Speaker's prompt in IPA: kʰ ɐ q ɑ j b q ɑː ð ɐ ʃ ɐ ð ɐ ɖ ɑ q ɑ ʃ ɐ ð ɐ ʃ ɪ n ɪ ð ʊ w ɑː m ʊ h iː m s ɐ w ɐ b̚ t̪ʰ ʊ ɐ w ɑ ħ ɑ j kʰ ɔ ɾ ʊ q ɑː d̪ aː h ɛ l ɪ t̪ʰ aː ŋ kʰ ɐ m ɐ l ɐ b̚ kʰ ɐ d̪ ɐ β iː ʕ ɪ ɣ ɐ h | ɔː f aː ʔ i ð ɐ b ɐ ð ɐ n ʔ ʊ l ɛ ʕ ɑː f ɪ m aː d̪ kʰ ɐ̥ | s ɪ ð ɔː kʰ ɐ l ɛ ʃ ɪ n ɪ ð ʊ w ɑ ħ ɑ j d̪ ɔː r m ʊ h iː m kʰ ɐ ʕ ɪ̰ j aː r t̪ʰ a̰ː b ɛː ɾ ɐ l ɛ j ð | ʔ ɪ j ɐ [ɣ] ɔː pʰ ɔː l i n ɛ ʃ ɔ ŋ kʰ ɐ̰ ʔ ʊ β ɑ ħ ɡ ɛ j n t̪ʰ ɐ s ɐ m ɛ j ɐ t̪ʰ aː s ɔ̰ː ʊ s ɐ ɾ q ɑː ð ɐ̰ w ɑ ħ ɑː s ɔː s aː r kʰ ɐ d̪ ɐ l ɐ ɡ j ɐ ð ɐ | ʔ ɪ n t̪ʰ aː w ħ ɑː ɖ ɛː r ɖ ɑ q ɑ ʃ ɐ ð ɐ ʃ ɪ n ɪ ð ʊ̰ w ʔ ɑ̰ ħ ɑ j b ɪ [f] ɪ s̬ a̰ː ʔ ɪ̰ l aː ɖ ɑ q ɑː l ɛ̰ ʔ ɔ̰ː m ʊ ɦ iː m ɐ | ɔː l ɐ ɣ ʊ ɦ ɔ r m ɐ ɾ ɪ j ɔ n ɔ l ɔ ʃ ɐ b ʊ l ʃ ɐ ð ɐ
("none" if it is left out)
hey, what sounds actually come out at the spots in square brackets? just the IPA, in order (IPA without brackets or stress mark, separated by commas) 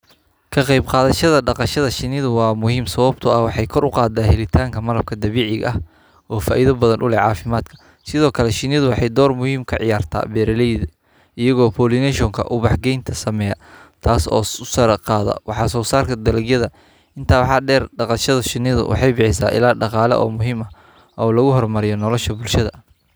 ɣ, ħ